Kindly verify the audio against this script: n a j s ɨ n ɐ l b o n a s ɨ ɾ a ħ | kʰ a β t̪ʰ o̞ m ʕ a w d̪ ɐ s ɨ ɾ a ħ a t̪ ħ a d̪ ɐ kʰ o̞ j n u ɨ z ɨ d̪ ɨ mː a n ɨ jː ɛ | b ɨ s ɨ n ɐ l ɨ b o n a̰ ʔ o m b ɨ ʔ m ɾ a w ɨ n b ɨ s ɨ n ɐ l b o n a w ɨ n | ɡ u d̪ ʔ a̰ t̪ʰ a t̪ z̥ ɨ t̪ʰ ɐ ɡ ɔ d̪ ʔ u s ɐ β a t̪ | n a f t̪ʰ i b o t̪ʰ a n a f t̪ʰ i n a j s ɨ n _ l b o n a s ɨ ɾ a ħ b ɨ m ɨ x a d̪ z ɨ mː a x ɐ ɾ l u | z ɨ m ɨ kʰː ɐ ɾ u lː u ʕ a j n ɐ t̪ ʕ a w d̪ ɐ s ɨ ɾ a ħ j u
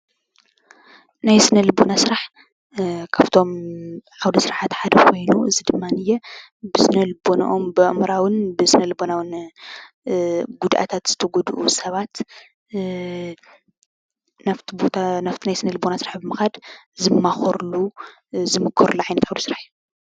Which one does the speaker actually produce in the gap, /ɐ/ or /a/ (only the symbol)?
ɐ